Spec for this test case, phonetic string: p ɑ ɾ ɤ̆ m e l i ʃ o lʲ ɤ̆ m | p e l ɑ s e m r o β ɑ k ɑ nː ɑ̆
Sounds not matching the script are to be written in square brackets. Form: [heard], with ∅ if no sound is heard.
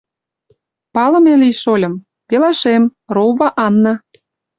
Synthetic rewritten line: p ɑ [l] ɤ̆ m e l i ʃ o lʲ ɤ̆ m | p e l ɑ [ʃ] e m r o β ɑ [ʔ] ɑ nː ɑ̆